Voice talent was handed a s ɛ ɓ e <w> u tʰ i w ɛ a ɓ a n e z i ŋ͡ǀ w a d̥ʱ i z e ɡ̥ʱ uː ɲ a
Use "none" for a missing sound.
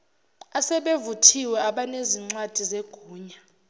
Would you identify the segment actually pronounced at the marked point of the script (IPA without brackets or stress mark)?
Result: v